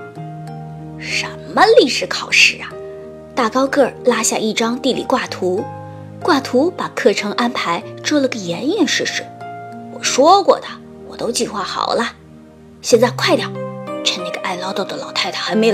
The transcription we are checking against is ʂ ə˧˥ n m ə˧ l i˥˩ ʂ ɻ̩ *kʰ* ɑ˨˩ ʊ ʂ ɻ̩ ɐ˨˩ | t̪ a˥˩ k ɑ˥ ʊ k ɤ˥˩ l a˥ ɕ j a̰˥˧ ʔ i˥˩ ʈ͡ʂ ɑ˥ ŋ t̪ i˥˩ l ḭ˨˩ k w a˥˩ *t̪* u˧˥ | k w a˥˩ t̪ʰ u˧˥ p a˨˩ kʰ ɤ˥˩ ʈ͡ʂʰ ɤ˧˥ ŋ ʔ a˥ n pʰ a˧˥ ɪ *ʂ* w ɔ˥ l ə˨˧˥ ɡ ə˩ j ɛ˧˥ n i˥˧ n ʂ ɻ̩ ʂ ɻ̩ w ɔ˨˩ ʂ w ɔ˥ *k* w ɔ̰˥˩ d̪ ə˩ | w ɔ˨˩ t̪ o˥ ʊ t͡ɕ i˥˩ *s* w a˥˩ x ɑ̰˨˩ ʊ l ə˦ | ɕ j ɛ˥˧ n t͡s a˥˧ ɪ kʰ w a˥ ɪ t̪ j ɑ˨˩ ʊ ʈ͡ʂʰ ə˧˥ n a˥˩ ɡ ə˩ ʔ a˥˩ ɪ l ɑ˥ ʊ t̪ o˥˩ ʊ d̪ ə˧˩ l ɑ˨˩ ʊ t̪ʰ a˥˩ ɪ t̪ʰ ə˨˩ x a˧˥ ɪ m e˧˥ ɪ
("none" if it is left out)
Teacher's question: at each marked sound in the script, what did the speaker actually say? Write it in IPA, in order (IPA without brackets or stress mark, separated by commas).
kʰ, t̪ʰ, ʈ͡ʂ, k, x